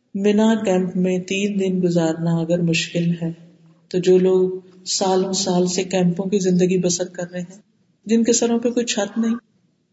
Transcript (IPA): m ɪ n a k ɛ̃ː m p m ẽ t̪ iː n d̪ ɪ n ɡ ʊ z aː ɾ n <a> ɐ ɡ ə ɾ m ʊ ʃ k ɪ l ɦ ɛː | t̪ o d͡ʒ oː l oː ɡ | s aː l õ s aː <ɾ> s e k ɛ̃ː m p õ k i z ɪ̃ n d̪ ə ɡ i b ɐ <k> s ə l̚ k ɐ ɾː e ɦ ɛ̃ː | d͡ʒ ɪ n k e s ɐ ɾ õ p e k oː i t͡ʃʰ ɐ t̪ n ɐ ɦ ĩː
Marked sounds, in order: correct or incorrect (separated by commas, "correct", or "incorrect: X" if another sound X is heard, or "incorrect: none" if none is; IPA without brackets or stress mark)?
correct, incorrect: l, incorrect: none